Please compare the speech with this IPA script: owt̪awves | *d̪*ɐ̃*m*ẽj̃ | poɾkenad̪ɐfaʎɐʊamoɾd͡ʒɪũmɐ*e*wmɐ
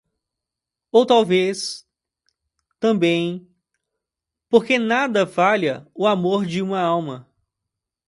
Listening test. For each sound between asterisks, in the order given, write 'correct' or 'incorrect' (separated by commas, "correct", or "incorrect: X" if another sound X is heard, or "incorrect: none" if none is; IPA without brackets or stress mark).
incorrect: t̪, incorrect: b, incorrect: a